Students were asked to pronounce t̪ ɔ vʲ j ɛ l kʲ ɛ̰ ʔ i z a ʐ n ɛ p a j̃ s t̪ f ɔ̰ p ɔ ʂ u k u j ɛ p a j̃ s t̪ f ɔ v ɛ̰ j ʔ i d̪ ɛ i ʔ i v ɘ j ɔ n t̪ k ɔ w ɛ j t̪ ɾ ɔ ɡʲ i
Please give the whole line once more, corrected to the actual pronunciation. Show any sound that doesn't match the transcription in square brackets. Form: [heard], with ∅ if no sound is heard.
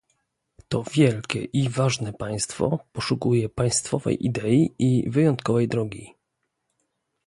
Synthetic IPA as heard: t̪ ɔ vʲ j ɛ l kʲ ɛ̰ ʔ i [v] a ʐ n ɛ p a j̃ s t̪ f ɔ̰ p ɔ ʂ u k u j ɛ p a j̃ s t̪ f ɔ v ɛ̰ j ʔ i d̪ ɛ i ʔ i v ɘ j ɔ n t̪ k ɔ [v] ɛ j [d̪] ɾ ɔ ɡʲ i